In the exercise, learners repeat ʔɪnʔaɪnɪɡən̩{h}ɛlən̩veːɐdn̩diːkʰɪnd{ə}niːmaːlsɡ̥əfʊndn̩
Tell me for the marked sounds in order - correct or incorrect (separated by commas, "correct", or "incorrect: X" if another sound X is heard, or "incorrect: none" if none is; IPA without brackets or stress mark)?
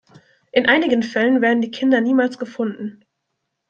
incorrect: f, incorrect: ɐ